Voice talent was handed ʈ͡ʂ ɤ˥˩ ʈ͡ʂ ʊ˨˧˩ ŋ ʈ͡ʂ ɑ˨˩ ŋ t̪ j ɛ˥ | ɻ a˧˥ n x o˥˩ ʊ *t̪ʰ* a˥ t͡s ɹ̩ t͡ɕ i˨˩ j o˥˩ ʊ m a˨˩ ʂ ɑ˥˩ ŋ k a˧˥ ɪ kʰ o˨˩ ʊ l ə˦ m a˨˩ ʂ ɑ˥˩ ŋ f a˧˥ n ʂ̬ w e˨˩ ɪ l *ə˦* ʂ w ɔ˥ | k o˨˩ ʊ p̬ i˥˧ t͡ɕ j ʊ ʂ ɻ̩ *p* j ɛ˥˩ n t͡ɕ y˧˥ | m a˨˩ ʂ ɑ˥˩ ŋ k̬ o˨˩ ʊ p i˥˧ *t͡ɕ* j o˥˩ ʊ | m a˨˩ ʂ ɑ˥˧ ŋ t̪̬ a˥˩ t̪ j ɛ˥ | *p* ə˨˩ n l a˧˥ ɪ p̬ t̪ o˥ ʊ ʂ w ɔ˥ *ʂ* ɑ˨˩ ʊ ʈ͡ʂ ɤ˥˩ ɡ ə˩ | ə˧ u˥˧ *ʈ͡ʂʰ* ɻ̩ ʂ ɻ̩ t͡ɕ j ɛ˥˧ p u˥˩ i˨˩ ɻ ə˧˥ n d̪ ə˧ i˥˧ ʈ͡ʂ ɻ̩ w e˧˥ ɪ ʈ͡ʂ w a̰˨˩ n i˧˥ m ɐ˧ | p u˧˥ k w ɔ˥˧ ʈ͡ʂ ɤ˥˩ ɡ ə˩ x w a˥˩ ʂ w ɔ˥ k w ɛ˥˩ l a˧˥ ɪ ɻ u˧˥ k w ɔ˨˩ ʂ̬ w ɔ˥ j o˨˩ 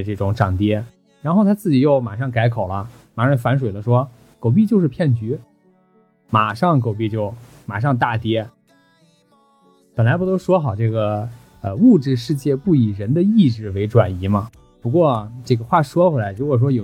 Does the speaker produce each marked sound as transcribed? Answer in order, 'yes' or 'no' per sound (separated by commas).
yes, yes, no, yes, yes, no, no